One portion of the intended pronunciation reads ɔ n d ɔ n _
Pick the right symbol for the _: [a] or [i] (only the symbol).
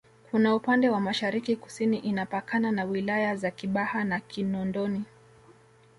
i